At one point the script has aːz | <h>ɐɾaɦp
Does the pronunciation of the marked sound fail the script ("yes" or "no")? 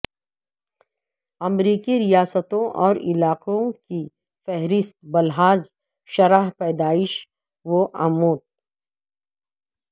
yes